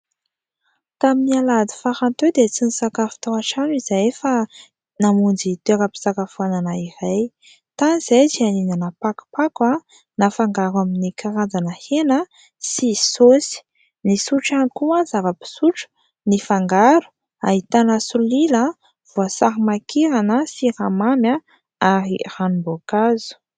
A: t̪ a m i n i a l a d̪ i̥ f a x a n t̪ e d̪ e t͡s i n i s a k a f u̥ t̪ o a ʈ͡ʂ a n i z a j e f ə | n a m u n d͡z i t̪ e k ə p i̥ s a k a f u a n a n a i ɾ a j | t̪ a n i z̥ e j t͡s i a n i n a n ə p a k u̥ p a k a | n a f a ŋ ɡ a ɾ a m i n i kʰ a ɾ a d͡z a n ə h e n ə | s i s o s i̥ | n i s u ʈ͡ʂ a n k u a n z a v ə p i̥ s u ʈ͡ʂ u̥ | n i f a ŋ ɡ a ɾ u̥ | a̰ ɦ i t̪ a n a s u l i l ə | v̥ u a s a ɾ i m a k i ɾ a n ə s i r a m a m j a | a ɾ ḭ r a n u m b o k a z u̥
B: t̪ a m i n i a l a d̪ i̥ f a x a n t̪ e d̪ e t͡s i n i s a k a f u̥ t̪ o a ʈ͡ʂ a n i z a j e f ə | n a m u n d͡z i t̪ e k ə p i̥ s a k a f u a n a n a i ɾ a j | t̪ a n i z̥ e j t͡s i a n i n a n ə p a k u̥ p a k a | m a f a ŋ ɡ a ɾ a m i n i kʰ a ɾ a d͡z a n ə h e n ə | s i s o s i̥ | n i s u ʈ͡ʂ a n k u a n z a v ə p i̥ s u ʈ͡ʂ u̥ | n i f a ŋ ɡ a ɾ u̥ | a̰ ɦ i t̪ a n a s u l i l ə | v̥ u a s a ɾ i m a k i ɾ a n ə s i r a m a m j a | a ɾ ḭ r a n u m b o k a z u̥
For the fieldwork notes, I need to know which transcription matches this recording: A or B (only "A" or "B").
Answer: A